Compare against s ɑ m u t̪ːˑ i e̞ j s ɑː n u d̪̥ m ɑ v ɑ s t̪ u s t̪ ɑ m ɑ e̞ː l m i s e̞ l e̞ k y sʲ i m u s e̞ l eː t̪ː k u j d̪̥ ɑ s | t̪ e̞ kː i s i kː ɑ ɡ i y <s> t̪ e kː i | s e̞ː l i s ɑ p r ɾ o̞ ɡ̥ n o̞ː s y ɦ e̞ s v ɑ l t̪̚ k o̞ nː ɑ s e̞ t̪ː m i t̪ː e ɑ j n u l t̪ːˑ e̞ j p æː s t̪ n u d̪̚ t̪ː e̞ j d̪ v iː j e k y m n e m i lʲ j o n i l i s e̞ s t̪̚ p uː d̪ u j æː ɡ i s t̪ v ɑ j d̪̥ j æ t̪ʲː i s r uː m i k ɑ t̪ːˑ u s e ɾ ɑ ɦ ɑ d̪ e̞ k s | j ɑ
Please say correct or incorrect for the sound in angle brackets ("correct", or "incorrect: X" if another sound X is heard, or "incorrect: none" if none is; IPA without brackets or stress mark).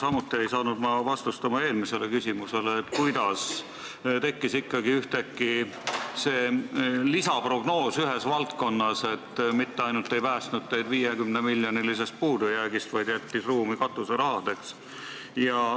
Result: incorrect: h